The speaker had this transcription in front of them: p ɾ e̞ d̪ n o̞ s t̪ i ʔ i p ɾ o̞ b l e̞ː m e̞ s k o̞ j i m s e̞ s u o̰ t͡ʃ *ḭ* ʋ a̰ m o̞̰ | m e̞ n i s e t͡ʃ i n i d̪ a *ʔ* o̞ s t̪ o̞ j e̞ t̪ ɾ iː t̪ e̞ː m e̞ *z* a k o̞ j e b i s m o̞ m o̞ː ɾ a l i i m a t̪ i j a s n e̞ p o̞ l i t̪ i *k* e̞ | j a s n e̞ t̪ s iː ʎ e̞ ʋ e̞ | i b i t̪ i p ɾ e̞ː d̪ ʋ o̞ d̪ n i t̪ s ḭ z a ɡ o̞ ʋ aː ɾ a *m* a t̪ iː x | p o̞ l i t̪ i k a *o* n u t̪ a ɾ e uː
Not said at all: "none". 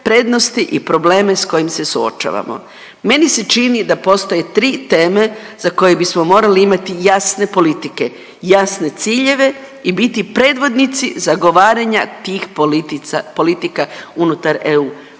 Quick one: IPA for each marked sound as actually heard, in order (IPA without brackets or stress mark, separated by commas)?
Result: a̰, p, z, k, ɲ, u